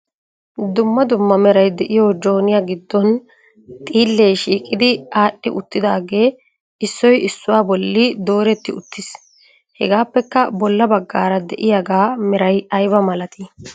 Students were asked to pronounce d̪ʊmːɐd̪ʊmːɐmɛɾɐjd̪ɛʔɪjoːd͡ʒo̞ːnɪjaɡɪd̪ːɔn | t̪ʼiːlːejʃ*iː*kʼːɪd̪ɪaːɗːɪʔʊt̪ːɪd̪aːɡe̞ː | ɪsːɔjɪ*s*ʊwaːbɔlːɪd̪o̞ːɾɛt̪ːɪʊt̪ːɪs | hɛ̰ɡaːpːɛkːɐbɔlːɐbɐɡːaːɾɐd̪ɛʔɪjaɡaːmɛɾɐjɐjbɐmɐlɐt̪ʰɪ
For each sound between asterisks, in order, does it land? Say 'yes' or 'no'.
yes, no

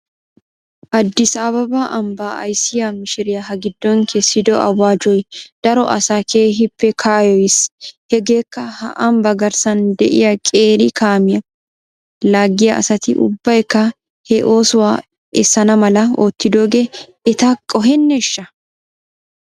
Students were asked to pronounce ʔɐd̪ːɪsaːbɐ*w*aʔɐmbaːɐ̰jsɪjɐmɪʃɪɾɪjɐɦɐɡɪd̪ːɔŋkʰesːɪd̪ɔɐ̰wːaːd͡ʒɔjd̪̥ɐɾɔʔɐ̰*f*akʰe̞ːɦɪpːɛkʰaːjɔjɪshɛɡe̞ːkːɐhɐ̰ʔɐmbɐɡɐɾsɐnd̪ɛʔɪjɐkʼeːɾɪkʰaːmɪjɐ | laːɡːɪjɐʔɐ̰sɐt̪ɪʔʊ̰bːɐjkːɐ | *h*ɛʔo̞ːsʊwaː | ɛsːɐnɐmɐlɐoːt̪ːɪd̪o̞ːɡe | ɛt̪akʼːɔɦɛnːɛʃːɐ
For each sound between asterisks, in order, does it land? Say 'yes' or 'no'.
no, no, yes

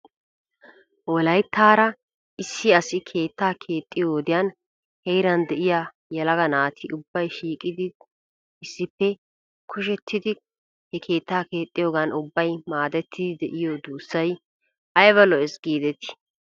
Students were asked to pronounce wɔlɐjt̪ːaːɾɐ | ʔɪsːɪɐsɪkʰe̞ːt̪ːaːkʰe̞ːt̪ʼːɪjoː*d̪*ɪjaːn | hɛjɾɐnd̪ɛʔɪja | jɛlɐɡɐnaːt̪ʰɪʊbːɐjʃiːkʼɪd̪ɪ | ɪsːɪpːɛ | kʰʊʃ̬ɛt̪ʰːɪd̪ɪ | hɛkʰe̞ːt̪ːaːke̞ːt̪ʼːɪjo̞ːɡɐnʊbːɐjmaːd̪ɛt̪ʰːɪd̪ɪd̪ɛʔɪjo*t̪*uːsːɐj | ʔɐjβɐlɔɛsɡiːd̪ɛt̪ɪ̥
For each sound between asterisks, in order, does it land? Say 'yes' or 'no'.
yes, no

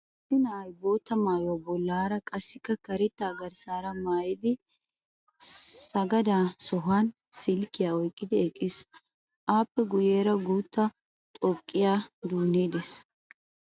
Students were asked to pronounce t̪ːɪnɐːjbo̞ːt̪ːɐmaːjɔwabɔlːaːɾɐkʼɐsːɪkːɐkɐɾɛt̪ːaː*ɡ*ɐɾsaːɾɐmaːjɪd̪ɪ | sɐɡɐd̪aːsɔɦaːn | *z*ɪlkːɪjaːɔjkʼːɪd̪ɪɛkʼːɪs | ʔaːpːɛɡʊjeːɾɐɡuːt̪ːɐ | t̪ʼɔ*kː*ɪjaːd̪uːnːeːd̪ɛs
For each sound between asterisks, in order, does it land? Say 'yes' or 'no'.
yes, no, no

